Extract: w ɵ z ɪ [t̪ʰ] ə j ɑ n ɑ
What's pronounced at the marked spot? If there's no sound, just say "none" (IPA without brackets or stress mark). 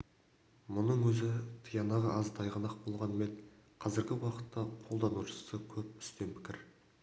t̪ʰ